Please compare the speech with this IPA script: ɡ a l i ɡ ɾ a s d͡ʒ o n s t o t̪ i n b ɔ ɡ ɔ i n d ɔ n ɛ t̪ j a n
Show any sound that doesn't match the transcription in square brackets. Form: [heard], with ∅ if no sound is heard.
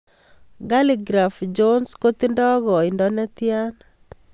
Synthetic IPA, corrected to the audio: ɡ a l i ɡ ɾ a [f] d͡ʒ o n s [k] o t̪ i n [d] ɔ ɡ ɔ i n d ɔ n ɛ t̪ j a n